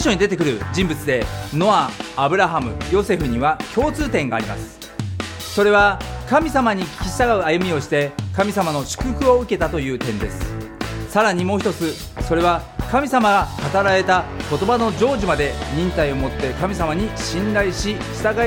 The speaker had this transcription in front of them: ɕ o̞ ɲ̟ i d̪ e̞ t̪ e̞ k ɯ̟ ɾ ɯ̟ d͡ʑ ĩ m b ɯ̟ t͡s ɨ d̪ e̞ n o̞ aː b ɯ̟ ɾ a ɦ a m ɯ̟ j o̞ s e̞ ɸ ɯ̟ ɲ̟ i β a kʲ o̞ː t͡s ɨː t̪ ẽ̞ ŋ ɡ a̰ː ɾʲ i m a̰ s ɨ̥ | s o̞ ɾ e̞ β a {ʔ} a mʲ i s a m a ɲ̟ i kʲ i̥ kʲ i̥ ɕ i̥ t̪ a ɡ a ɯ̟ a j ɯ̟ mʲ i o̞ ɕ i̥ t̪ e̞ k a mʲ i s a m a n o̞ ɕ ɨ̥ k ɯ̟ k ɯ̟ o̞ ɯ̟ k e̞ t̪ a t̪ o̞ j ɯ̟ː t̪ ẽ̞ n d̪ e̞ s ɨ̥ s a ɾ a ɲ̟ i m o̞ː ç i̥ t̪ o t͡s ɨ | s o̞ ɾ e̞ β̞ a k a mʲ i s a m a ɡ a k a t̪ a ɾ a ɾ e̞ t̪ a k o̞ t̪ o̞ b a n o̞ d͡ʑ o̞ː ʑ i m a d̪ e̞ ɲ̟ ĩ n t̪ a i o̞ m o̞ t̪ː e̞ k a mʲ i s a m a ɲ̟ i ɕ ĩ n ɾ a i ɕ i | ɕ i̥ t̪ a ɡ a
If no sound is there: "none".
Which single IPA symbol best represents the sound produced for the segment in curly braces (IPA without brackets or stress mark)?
k